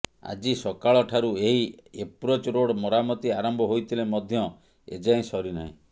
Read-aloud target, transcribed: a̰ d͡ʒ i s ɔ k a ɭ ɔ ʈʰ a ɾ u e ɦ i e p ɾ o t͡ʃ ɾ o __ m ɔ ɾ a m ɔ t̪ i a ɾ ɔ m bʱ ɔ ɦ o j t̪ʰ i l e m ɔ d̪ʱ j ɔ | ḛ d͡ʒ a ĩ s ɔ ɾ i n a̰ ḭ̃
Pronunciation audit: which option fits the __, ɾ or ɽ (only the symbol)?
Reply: ɽ